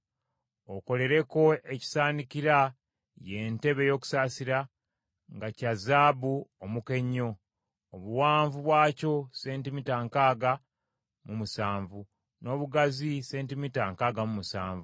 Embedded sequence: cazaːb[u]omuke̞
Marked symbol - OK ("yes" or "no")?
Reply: yes